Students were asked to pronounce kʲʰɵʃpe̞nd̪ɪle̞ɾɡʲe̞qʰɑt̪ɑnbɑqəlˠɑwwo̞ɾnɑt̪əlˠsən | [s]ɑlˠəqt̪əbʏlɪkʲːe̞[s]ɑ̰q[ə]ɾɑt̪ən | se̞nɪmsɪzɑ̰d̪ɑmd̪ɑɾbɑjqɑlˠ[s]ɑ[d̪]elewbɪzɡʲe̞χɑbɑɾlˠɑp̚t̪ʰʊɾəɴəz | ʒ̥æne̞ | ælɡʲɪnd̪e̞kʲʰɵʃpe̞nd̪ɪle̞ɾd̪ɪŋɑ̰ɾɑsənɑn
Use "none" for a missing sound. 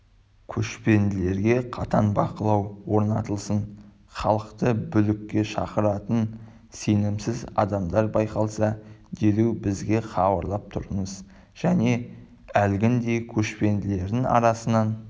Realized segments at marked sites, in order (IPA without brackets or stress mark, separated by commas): χ, ʃ, ə, s, d̪